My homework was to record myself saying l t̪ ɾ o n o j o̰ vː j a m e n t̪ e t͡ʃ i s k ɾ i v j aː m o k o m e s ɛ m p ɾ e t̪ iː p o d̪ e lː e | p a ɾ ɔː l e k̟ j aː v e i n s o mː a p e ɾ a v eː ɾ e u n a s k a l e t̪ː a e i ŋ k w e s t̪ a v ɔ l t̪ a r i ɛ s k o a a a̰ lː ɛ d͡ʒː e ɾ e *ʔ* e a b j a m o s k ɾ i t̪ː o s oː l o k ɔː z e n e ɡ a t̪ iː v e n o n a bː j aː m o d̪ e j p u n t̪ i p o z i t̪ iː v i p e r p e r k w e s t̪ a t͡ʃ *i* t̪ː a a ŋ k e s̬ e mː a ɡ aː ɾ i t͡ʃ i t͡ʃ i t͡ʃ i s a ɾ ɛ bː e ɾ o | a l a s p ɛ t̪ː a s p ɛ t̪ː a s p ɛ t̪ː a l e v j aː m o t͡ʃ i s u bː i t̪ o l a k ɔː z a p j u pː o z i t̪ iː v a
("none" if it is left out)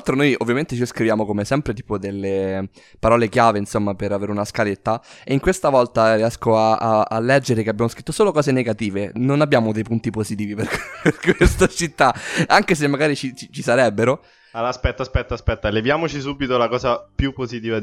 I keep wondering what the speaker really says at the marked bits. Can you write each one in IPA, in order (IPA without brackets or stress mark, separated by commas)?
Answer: k, i